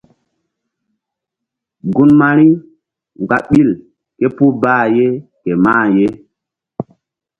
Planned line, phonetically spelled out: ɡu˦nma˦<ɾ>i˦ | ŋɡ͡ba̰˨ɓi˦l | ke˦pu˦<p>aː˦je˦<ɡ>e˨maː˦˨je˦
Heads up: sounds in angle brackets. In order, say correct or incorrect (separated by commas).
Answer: correct, incorrect, incorrect